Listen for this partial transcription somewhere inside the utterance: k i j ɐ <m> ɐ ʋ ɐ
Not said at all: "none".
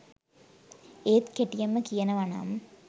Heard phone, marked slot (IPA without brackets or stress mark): n